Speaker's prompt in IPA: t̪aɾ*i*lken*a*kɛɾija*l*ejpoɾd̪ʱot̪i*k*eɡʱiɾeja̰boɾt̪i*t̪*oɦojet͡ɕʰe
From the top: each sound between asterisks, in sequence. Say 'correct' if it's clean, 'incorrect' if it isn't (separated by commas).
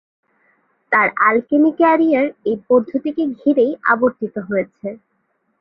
incorrect, incorrect, incorrect, correct, correct